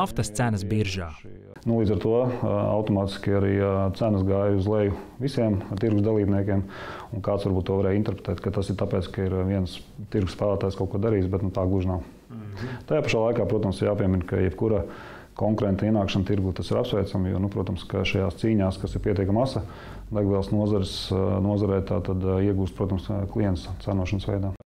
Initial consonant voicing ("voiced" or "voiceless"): voiceless